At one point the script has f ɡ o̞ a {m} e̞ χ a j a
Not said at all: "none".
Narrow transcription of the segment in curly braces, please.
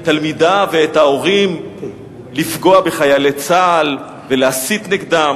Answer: b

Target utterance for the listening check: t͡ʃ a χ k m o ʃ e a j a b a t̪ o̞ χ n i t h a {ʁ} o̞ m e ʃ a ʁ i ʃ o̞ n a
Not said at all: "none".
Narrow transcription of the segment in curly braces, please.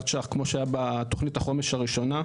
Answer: χ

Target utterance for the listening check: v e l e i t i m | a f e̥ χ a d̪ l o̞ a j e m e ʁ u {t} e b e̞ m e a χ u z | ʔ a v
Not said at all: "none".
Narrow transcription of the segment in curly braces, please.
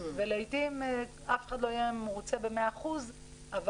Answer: t͡s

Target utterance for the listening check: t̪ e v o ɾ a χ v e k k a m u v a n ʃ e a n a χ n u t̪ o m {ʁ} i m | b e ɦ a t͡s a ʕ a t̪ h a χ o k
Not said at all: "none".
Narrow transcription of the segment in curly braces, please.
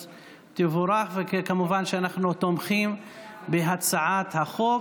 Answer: χ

